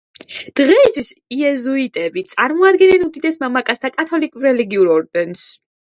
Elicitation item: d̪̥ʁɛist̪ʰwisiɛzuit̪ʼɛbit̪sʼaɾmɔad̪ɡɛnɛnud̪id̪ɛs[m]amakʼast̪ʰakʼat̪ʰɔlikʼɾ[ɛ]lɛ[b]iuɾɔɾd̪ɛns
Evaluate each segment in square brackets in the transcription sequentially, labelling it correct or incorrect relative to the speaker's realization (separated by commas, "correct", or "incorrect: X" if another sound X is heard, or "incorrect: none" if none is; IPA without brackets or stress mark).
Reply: correct, correct, incorrect: ɡ